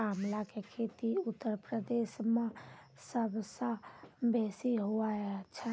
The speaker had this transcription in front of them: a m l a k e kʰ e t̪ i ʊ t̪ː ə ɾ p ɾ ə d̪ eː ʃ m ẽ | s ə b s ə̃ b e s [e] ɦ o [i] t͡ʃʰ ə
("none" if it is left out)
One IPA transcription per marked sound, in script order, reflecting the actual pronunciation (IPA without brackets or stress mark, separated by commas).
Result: i, a